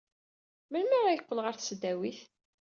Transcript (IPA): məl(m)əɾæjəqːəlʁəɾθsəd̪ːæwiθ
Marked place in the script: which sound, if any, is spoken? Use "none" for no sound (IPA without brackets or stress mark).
m